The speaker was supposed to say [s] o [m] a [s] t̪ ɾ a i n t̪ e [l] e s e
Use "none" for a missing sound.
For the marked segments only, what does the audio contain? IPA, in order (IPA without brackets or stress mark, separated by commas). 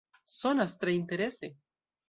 s, n, s, ɾ